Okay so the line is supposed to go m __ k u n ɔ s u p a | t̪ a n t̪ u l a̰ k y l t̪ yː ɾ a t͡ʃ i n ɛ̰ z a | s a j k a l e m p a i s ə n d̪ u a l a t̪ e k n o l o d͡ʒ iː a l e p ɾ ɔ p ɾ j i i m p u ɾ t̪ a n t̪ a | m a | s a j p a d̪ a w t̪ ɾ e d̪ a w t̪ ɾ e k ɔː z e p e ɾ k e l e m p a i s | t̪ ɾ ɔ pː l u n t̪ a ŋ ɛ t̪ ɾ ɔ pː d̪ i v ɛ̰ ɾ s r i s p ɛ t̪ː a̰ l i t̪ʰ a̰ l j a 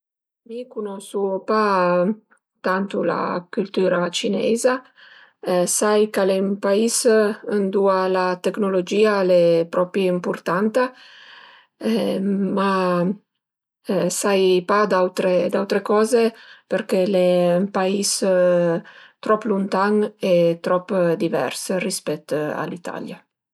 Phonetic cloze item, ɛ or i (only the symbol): i